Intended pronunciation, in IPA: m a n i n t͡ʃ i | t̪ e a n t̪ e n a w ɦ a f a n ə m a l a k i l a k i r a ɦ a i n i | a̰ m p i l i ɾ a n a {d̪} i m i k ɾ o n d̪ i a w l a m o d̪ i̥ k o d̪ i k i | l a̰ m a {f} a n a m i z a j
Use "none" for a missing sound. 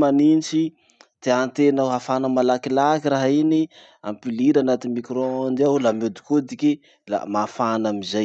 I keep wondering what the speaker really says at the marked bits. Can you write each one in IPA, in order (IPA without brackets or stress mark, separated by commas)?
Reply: t̪, f